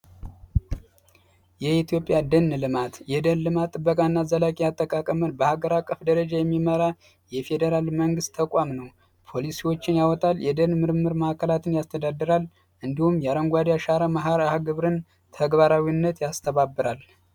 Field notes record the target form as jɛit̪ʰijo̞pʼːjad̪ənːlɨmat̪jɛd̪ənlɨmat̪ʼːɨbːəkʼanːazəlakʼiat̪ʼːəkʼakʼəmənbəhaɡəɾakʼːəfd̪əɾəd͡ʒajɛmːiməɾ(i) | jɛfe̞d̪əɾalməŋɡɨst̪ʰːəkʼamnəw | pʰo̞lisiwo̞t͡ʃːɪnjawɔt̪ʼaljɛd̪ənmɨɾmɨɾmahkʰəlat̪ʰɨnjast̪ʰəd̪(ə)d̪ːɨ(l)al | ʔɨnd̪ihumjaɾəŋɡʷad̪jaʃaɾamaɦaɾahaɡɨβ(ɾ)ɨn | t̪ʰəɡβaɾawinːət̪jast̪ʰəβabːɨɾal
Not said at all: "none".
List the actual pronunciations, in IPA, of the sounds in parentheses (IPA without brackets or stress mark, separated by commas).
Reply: a, a, ɾ, ɾ